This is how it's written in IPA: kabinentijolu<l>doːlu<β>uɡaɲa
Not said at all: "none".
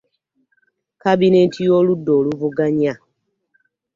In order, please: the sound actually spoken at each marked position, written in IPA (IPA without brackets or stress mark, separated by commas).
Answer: none, v